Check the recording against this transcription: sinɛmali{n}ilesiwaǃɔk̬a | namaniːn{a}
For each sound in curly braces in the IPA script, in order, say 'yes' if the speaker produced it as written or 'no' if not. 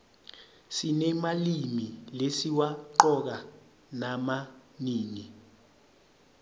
no, no

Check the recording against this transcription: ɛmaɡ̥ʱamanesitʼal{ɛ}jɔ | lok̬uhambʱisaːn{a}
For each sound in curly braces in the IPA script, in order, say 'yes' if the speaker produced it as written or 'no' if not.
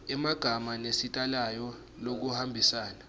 no, yes

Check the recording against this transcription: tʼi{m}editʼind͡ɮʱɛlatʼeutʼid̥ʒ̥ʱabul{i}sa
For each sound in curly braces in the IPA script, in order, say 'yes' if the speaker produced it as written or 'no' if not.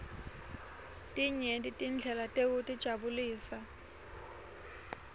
no, no

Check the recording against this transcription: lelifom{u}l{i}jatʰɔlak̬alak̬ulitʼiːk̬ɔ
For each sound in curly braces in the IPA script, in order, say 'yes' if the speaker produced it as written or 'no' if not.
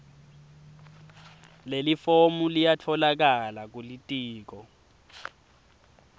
yes, yes

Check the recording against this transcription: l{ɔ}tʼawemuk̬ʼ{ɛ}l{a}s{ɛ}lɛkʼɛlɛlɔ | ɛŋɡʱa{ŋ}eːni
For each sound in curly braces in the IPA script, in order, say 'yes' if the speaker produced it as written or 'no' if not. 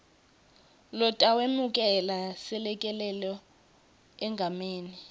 yes, yes, yes, yes, no

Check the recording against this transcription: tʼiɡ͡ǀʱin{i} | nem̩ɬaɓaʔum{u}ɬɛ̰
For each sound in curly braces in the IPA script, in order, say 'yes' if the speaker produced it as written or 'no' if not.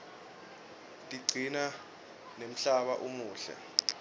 no, no

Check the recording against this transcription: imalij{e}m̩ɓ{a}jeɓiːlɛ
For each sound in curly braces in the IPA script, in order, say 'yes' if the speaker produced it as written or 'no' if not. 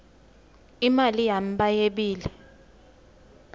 no, yes

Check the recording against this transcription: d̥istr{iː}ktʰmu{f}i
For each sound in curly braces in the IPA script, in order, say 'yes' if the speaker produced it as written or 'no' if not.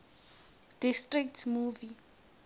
no, no

